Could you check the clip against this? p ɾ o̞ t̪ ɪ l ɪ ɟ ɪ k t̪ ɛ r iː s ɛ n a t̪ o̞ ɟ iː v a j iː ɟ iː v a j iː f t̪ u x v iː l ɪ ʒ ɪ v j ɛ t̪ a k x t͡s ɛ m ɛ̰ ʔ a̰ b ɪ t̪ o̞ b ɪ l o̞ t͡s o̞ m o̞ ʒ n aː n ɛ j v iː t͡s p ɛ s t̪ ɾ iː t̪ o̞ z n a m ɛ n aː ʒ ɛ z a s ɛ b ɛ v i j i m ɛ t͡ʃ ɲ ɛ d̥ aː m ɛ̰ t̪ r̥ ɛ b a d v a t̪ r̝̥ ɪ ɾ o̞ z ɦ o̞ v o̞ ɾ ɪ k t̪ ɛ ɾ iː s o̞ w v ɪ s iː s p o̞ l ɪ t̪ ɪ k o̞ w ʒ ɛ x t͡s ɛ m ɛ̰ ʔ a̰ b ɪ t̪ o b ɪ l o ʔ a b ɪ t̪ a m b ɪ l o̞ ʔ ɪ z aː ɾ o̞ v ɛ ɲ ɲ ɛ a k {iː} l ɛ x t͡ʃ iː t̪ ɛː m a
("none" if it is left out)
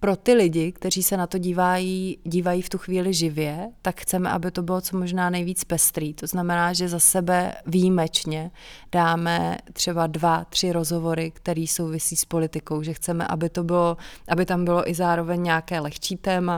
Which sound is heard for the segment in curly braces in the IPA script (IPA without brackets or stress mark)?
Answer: ɛː